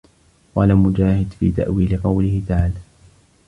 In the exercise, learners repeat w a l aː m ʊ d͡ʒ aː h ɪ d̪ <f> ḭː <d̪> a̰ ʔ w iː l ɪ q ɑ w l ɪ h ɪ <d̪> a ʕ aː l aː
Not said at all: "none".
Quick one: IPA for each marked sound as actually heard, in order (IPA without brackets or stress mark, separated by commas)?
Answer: f, t̪, t̪